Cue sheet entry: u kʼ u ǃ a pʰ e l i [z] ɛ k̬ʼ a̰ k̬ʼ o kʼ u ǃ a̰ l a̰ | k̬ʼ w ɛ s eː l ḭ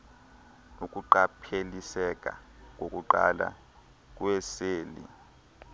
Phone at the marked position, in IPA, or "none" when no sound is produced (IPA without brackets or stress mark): s